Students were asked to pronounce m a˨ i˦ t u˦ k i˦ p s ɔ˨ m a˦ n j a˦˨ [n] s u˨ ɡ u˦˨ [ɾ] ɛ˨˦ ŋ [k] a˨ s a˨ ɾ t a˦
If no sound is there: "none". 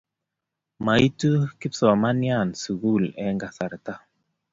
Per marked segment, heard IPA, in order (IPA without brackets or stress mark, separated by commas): n, l, ɡ